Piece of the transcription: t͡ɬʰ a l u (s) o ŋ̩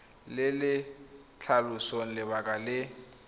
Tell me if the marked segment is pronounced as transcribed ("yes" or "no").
yes